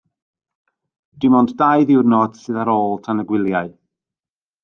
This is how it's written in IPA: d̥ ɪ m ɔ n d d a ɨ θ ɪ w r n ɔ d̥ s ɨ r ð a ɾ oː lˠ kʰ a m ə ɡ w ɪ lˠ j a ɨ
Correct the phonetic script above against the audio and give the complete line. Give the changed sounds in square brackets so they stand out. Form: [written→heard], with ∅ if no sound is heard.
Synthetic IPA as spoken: d̥ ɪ m ɔ n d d a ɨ [θ→ð] ɪ w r n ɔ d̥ s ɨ [r→∅] ð a ɾ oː lˠ [kʰ→tʰ] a [m→n] ə ɡ w ɪ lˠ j a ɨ